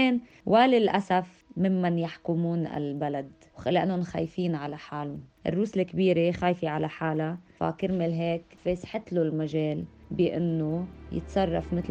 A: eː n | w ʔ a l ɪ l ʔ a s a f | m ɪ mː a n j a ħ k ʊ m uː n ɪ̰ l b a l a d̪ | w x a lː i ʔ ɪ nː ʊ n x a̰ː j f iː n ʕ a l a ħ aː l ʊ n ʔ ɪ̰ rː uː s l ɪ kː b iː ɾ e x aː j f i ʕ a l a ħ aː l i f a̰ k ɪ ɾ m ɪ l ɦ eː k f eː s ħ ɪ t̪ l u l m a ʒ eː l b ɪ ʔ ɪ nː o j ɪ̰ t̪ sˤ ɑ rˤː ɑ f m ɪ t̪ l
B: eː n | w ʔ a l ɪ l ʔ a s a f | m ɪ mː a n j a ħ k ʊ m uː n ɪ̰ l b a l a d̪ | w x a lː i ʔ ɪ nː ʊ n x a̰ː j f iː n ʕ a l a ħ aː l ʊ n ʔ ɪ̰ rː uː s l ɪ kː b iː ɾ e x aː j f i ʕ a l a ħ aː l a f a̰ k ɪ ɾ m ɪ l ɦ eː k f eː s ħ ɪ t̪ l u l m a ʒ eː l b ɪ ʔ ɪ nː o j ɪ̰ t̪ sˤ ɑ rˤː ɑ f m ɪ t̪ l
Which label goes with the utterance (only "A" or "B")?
B